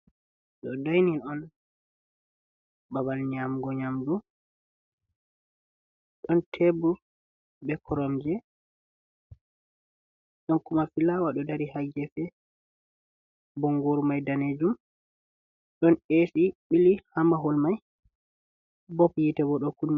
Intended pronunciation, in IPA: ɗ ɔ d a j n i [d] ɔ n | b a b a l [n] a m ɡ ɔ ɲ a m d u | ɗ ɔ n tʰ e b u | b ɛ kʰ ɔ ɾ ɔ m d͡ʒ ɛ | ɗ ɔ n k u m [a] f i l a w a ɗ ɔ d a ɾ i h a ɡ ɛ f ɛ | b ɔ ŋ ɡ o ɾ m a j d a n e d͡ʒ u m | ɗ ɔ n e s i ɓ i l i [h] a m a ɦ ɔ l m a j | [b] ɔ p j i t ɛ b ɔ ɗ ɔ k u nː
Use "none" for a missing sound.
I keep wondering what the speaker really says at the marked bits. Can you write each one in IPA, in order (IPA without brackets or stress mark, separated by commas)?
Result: n, ɲ, a, h, b